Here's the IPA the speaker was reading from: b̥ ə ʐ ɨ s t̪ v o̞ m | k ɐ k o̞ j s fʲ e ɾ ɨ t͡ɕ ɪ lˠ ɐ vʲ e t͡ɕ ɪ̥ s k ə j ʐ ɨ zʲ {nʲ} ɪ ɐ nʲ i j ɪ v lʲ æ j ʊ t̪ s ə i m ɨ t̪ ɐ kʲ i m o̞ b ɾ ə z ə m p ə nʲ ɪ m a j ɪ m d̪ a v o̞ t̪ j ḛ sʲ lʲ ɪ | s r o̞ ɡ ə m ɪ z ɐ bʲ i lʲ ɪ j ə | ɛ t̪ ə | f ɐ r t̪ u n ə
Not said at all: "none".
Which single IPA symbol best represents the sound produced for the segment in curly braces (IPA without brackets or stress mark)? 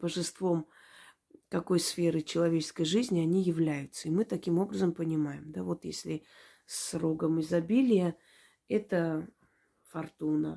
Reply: nʲ